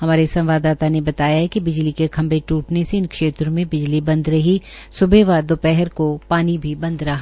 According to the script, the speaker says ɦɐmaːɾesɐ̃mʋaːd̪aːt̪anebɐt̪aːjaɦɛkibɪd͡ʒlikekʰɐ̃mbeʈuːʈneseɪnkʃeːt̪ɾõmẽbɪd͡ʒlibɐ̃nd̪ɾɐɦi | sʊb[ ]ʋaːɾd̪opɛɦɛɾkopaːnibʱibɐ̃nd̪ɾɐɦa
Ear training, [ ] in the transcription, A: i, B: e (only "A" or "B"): B